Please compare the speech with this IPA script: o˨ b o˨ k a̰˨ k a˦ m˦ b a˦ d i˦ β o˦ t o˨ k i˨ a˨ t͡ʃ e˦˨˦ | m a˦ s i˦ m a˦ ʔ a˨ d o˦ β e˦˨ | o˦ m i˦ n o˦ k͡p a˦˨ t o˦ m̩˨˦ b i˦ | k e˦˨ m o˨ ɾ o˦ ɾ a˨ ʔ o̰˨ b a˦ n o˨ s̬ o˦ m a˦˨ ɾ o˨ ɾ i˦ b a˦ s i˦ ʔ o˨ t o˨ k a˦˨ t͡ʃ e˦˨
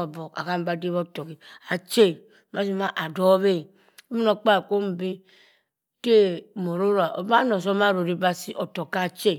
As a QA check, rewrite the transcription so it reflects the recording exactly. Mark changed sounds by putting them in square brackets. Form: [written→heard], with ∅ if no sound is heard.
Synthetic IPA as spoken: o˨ b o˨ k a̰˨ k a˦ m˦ b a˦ d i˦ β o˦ t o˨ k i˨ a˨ t͡ʃ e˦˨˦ | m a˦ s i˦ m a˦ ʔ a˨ d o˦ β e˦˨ | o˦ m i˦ n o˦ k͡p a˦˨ [t→k] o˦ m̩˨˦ b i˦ | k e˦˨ m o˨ ɾ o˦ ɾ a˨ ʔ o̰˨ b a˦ n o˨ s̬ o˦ m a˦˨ ɾ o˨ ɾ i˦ b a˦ s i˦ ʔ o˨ t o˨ k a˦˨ t͡ʃ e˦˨